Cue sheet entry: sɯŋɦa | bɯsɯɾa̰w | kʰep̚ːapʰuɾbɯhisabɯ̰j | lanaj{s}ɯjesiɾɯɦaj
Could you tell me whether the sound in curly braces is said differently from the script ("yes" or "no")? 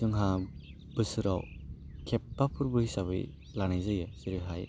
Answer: yes